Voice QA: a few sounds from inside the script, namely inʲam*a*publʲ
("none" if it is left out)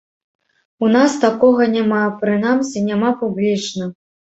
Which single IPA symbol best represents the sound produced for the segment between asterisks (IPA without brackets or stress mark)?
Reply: a